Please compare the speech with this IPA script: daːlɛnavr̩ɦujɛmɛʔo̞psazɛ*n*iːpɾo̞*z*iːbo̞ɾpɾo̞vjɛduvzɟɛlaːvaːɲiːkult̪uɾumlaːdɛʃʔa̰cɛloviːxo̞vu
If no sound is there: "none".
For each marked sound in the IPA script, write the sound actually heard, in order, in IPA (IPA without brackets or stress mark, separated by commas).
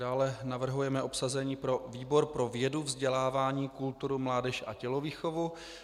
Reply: ɲ, v